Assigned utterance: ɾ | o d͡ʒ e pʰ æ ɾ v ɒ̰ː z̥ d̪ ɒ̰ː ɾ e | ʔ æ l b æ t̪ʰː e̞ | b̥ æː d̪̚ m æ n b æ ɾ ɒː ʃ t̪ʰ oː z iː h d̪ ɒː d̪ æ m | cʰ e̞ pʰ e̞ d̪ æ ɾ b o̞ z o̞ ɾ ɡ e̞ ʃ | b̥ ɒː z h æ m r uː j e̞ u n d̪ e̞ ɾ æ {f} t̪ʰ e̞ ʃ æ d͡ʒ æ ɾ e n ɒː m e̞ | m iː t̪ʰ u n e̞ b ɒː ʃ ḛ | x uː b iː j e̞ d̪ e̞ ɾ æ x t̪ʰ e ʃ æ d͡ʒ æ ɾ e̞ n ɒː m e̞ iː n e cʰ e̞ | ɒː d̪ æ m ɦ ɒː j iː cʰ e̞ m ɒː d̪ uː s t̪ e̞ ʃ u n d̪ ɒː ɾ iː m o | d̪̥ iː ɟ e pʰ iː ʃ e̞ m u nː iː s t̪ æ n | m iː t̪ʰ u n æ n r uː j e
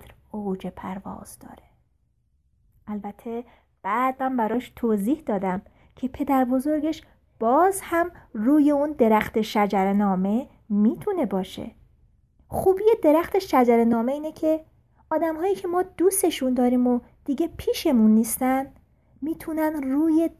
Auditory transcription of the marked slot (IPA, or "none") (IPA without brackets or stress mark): x